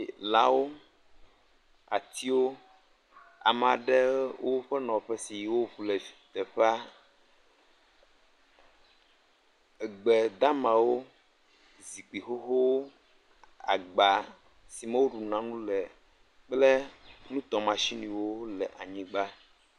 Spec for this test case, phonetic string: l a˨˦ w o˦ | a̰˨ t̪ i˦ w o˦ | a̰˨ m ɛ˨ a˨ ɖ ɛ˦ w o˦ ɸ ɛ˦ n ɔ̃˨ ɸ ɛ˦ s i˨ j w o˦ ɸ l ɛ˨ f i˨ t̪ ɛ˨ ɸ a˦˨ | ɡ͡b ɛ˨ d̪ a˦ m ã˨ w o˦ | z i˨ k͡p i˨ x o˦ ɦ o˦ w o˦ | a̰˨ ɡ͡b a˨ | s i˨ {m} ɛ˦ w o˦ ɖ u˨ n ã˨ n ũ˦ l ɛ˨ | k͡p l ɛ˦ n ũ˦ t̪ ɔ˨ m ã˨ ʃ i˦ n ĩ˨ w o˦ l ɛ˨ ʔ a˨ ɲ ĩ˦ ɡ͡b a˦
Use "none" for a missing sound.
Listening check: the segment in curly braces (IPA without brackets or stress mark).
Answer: m